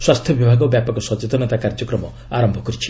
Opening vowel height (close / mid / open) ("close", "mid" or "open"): open